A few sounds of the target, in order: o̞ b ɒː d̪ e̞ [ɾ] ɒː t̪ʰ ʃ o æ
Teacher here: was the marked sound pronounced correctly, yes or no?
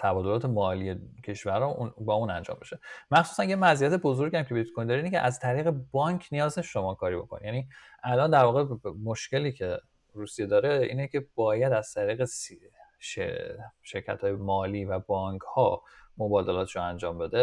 no